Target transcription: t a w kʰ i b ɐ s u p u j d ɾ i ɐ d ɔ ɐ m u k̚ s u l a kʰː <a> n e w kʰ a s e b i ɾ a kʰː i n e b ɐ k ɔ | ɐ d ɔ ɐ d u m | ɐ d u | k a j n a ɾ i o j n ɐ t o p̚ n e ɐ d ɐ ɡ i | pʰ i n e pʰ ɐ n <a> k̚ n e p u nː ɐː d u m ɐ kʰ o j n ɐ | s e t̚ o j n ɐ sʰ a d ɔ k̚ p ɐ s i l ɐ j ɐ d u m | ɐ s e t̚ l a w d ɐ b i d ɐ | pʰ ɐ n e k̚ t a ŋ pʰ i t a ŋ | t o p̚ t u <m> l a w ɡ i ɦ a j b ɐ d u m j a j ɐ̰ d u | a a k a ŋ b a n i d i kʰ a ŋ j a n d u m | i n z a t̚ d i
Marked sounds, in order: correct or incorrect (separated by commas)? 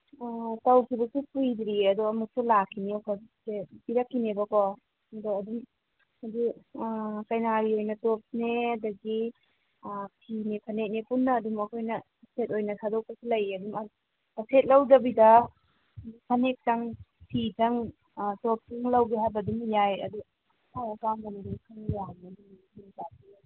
incorrect, incorrect, incorrect